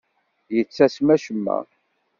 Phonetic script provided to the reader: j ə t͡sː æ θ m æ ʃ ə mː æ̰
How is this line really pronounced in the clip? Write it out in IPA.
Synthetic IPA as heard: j ə t͡sː æ s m æ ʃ ə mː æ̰